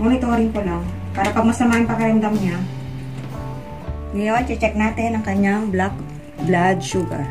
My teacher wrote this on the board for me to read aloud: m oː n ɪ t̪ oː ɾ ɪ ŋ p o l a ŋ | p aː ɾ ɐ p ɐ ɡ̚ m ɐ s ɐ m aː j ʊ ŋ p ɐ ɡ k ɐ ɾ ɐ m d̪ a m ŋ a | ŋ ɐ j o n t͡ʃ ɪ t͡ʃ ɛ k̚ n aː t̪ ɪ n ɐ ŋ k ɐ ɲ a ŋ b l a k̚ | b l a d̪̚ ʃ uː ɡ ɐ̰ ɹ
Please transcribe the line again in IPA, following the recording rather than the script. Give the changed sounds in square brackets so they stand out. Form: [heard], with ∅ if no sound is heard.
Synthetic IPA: m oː n ɪ t̪ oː ɾ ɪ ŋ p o l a ŋ | p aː ɾ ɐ p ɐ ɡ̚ m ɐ s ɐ m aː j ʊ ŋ p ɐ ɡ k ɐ ɾ ɐ m d̪ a m [ɲ] a | ŋ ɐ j o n t͡ʃ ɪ t͡ʃ ɛ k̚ n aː t̪ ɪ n ɐ ŋ k ɐ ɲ a ŋ b l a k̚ | b l a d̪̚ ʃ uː ɡ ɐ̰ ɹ